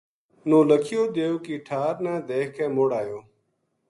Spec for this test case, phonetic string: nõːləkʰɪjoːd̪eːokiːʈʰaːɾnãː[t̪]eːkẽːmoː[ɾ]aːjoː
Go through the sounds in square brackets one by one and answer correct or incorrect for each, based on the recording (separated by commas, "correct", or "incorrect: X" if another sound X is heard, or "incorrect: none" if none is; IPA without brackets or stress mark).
incorrect: d̪, incorrect: ɽ